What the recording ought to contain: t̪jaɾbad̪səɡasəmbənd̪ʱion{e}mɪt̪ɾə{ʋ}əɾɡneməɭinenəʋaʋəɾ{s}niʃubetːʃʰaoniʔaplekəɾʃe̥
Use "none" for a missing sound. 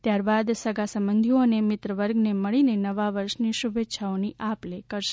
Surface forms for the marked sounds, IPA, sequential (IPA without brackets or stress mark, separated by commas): e, ʋ, ʃ